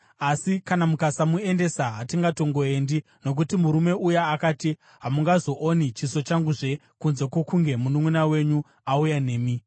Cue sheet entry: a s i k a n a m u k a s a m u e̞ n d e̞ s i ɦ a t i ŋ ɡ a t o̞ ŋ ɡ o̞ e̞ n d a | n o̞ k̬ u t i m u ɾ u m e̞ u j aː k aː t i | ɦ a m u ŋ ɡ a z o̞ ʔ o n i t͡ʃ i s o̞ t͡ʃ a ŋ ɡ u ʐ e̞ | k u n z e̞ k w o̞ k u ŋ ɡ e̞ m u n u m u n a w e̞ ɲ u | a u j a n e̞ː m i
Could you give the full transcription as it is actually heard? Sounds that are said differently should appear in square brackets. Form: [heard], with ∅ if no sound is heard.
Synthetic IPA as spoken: a s i k a n a m u k a s a m u e̞ n d e̞ s [a] ɦ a t i ŋ ɡ a t o̞ ŋ ɡ o̞ e̞ n d [i] | n o̞ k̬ u t i m u ɾ u m e̞ u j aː k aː t i | ɦ a m u ŋ ɡ a z o̞ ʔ o n i t͡ʃ i s o̞ t͡ʃ a ŋ ɡ u ʐ e̞ | k u n z e̞ k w o̞ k u ŋ ɡ e̞ m u n u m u n a w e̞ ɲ u | a u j a n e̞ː m i